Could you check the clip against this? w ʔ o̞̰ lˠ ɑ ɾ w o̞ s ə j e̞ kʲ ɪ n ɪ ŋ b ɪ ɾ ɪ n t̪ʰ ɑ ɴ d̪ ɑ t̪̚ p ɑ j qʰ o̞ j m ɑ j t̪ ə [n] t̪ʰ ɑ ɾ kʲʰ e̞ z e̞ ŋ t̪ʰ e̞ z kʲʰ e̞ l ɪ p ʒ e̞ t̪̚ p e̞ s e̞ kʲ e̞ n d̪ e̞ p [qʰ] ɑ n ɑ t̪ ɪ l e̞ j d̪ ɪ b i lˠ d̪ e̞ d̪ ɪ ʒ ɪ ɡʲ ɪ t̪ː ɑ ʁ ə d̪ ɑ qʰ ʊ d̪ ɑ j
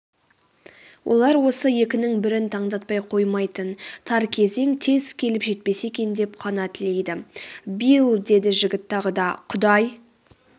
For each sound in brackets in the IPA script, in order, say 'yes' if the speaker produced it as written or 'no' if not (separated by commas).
yes, yes